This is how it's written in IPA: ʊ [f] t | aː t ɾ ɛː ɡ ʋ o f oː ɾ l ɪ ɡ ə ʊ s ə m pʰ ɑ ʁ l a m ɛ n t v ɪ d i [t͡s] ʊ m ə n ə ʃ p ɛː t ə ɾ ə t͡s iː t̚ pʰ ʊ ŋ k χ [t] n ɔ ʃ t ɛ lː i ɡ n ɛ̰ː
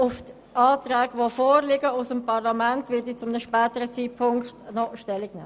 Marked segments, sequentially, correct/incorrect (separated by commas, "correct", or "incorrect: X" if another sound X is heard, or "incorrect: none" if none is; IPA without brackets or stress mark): correct, correct, correct